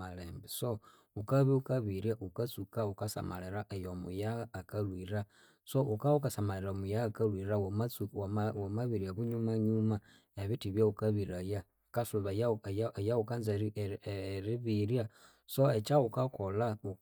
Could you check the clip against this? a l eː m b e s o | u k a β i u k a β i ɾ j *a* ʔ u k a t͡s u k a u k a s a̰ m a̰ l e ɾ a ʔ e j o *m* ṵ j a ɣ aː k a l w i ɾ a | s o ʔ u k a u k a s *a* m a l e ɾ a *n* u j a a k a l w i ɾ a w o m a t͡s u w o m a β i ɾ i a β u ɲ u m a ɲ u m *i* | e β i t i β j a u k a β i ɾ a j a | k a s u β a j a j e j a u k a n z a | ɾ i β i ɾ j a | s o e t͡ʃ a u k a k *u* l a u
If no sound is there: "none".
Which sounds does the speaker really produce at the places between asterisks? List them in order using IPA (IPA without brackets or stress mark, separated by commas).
a, m, a, m, a, o